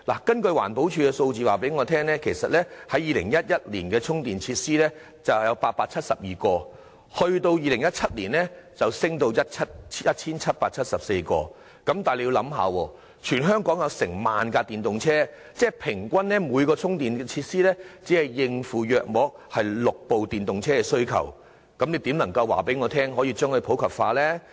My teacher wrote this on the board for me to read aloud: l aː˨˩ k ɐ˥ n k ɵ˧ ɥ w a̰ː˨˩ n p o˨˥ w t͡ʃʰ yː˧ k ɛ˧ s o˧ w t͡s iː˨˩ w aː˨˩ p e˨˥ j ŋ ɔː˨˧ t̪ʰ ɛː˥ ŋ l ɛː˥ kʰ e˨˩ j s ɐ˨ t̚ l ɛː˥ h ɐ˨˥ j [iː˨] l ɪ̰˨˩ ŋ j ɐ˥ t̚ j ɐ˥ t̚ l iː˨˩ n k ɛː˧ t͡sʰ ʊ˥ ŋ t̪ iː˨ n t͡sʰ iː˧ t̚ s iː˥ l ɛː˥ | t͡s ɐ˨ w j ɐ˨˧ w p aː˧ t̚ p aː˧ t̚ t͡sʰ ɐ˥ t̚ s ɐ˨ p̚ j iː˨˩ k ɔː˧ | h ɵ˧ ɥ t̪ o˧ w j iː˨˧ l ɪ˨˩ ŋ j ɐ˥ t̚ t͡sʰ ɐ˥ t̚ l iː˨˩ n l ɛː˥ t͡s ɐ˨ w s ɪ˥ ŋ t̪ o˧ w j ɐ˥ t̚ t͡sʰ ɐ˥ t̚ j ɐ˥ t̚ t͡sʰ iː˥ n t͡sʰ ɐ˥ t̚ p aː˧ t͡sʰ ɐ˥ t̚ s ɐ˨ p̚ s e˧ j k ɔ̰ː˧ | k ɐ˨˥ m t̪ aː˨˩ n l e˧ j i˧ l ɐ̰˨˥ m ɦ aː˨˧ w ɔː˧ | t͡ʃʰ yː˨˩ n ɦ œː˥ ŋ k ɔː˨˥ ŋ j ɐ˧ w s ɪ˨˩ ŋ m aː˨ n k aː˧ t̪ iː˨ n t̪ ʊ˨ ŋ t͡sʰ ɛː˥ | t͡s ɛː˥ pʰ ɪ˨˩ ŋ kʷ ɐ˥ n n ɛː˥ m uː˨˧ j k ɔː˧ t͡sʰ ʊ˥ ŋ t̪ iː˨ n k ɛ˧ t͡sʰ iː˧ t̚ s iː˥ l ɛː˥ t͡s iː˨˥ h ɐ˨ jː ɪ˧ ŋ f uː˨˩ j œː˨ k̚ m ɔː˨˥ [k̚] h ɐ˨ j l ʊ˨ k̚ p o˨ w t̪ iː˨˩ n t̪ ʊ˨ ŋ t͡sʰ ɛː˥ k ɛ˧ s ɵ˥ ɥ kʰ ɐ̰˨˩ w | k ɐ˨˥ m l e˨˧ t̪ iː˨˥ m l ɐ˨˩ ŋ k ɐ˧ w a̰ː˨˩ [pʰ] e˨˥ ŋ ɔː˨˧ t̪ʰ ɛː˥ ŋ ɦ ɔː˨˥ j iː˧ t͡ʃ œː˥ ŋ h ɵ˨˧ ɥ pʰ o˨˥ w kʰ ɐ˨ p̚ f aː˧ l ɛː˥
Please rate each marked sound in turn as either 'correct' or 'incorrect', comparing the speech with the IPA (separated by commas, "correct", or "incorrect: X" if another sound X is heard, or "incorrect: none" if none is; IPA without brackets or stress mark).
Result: correct, correct, incorrect: p